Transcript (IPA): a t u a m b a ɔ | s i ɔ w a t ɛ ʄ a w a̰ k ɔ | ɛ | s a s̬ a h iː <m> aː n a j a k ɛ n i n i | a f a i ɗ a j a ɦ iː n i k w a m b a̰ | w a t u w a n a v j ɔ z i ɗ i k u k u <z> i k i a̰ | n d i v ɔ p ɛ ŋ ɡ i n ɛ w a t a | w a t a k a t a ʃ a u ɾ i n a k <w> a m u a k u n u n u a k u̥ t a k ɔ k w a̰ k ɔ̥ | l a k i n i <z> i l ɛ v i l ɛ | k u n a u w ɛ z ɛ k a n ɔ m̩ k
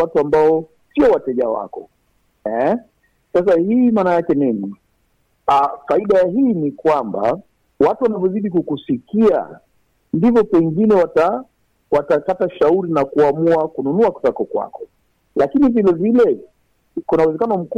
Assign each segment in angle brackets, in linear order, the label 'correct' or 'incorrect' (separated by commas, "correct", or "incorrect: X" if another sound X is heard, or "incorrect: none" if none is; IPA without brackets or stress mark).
correct, incorrect: s, incorrect: u, incorrect: v